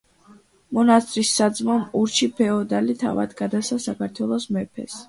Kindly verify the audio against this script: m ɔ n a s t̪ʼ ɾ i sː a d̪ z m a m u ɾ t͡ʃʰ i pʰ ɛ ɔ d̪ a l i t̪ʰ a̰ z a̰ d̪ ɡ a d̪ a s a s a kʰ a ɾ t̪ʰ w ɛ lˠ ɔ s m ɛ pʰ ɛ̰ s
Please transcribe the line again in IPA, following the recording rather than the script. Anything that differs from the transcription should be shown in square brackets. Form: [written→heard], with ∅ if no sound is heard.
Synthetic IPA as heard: m ɔ n a s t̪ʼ ɾ i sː a d̪ z m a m u ɾ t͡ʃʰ i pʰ ɛ ɔ d̪ a l i t̪ʰ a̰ [z→v] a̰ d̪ ɡ a d̪ a s a s a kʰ a ɾ t̪ʰ w ɛ lˠ ɔ s m ɛ pʰ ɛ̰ s